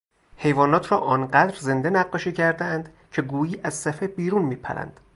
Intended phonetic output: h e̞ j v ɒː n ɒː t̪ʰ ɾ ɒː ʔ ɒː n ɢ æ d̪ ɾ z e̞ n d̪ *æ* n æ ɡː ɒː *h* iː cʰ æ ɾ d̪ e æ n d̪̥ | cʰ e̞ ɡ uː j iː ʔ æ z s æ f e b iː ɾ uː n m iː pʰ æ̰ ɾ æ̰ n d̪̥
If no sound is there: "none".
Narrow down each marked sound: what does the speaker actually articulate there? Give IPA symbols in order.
e, ʃ

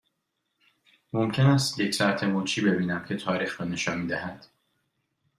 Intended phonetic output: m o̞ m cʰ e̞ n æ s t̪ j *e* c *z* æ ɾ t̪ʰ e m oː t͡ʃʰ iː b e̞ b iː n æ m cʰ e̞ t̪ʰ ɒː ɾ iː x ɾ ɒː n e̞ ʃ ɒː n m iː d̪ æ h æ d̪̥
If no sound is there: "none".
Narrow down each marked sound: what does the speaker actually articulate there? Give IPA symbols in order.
e, s

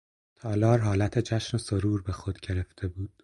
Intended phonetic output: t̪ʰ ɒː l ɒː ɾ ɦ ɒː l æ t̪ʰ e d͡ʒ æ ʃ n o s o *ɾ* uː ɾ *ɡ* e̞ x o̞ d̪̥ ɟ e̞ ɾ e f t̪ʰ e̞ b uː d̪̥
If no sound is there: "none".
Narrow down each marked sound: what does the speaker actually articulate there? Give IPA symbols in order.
ɾ, b

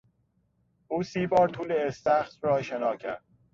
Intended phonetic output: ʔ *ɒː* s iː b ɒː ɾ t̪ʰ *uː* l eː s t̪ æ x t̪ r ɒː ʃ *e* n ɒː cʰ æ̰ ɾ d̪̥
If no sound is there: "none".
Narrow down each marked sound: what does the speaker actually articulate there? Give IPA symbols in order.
uː, uː, e

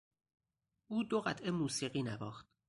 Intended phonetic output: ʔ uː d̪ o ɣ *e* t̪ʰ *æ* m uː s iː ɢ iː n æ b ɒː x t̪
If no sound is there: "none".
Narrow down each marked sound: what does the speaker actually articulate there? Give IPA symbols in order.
æ, e

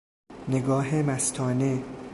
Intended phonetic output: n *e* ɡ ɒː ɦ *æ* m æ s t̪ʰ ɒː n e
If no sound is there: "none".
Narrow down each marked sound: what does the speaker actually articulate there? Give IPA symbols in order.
e, e

